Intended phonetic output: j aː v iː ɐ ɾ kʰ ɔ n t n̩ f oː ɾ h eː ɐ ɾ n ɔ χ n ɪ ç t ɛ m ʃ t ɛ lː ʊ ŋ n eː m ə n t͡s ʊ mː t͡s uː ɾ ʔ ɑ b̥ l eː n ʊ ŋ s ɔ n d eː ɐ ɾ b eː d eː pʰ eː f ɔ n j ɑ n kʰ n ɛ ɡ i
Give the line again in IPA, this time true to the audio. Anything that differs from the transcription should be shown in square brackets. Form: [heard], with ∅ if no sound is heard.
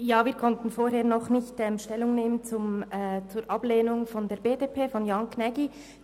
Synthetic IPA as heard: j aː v iː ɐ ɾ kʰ ɔ n t n̩ f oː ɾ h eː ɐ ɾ n ɔ χ n ɪ ç t ɛ m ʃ t ɛ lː ʊ ŋ n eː m ə n t͡s ʊ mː t͡s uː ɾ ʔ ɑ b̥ l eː n ʊ ŋ [f] ɔ n d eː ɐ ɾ b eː d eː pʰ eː f ɔ n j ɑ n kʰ n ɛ ɡ i